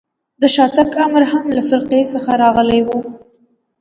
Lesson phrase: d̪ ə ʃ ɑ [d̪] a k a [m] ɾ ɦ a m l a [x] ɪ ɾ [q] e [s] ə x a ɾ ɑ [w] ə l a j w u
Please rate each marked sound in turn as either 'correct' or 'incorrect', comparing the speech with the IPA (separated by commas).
incorrect, correct, incorrect, correct, correct, incorrect